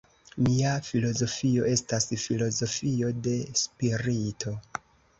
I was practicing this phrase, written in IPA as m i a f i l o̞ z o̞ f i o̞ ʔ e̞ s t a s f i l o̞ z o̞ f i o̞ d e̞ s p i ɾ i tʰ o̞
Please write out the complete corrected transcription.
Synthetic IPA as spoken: m i a f i l o̞ z o̞ f i o̞ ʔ e̞ s t a s f i l o̞ z o̞ f i o̞ d e̞ s p i ɾ i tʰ o̞